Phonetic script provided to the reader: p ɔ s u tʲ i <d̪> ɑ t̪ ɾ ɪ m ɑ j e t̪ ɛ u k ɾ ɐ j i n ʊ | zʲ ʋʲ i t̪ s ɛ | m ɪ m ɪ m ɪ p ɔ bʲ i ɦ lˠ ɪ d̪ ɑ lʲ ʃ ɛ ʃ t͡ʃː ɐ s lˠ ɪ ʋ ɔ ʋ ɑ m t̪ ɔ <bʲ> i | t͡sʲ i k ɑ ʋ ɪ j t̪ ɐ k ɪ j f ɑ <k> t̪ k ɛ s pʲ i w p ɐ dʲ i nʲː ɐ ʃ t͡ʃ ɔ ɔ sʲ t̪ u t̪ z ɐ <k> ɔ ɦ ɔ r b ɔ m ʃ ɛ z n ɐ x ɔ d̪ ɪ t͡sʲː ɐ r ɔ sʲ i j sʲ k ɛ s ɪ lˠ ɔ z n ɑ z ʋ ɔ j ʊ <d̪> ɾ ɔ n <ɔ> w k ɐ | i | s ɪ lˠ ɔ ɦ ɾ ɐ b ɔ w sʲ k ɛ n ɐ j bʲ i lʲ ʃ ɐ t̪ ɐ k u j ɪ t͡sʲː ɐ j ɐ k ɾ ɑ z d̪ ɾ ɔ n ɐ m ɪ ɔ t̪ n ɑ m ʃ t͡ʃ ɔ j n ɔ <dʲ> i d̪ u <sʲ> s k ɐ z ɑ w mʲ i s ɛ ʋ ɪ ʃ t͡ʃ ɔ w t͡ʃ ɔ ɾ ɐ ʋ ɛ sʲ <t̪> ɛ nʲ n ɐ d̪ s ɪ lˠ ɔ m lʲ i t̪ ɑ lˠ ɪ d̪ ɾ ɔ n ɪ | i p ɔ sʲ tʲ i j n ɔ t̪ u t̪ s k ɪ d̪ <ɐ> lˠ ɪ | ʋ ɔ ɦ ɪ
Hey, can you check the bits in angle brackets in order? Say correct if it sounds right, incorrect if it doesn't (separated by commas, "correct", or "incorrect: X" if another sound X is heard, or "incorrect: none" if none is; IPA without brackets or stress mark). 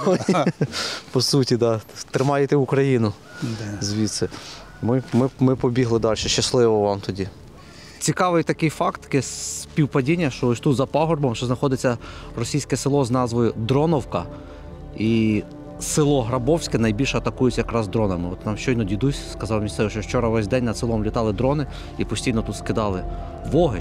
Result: correct, incorrect: dʲ, correct, incorrect: p, correct, correct, correct, correct, incorrect: d̪, incorrect: ɑ